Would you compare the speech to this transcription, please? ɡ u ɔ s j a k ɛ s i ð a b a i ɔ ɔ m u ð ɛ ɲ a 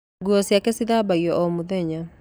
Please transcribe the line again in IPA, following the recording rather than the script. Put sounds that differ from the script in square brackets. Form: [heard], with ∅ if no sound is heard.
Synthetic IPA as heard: ɡ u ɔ s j a k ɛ s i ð a b a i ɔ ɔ m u ð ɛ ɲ a